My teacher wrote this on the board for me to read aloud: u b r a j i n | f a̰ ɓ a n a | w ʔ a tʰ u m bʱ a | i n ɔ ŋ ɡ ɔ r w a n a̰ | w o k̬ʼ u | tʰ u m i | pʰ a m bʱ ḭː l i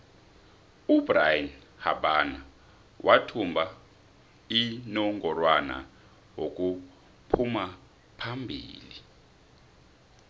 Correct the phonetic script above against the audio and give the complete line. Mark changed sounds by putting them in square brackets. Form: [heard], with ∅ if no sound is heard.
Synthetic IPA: u b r a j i n | [h] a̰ ɓ a n a | w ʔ a tʰ u m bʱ a | i n ɔ ŋ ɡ ɔ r w a n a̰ | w o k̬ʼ u | [pʰ] u m [a] | pʰ a m bʱ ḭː l i